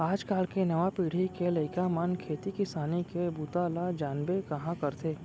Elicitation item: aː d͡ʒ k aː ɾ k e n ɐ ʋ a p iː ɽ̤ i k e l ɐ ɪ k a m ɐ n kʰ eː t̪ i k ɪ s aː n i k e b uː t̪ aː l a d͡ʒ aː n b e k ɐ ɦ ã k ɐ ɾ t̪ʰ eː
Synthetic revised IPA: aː d͡ʒ k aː l k e n ɐ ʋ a p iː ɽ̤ i k e l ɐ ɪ k a m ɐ n kʰ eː t̪ i k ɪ s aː n i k e b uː t̪ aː l a d͡ʒ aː n b e k ɐ ɦ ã k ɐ ɾ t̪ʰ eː